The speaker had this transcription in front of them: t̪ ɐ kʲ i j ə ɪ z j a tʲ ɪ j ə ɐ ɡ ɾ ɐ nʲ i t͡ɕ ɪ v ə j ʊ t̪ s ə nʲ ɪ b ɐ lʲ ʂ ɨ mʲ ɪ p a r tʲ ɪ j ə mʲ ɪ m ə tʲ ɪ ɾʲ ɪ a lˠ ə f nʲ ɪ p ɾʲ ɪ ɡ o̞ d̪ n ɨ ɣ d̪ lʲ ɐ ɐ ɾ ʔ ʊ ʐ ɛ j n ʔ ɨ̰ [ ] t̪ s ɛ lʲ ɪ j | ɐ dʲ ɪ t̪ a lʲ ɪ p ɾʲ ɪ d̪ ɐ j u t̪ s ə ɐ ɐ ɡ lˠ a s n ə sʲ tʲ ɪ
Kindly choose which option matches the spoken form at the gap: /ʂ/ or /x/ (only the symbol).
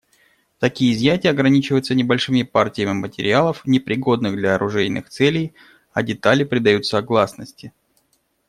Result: x